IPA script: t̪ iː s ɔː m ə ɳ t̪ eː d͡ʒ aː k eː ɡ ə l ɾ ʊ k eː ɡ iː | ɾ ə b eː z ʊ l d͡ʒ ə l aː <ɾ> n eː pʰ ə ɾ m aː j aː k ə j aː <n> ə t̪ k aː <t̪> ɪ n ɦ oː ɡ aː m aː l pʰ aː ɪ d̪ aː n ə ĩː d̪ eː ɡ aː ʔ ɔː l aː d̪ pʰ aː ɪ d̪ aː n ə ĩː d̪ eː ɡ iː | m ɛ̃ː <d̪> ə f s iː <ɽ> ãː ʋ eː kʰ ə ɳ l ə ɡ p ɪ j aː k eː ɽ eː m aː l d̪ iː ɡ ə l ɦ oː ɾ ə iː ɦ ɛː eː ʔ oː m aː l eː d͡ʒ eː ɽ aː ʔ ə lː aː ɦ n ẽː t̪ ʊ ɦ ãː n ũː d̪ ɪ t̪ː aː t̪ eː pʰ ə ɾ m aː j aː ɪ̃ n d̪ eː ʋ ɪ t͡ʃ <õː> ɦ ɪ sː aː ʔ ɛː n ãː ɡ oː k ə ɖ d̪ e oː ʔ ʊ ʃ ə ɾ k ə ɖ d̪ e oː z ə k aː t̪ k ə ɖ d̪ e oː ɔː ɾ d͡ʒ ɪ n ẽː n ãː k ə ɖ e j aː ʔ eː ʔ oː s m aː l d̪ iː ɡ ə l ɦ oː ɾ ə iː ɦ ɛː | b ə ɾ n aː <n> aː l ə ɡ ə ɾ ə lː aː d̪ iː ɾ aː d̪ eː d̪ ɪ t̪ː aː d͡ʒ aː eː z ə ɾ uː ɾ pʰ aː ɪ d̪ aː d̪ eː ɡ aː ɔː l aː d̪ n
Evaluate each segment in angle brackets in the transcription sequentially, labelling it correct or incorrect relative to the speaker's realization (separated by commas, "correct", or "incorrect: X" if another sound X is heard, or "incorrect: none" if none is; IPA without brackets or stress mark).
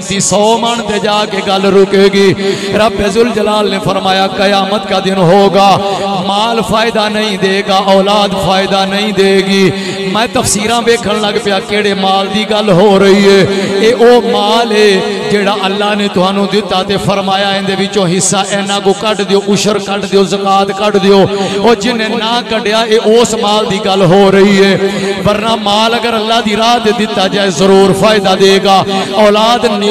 incorrect: l, incorrect: m, incorrect: d̪, incorrect: t̪, incorrect: ɾ, correct, incorrect: m